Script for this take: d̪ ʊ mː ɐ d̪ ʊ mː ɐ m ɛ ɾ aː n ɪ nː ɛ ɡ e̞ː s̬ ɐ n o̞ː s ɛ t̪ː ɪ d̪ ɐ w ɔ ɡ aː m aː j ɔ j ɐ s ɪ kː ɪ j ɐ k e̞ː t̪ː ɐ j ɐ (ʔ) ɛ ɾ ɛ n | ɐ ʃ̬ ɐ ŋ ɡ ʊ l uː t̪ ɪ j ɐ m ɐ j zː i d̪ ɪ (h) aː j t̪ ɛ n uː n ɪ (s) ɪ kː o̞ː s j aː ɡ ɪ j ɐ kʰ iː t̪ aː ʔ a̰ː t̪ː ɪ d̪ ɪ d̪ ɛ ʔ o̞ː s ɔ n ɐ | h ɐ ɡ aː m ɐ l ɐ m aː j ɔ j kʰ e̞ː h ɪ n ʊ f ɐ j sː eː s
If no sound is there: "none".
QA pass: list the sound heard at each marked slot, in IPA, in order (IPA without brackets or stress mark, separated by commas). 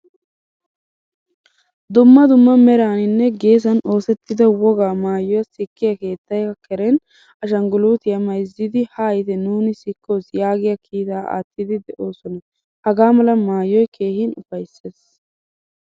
k, h, s